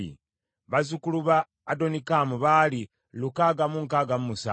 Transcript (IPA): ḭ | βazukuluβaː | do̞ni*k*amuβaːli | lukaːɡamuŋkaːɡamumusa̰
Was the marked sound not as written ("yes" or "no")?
no